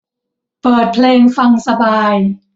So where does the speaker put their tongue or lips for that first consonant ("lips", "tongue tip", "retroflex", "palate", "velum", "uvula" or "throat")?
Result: lips